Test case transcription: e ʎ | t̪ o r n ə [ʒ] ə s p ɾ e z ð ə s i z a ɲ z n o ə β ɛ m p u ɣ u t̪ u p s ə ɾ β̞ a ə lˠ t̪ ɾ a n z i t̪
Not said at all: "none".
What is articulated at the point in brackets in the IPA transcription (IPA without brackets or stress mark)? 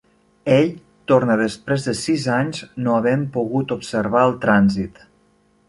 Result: ð